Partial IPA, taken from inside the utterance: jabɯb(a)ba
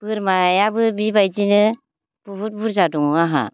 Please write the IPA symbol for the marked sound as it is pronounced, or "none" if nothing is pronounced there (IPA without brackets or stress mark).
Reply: i